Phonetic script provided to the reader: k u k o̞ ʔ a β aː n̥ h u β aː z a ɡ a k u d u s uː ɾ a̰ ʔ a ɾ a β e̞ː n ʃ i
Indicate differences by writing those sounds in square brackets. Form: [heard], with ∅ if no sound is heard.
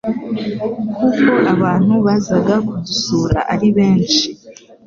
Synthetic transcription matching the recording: k u k o̞ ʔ a β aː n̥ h u β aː z a ɡ a k u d u s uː ɾ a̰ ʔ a ɾ [i] β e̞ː n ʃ i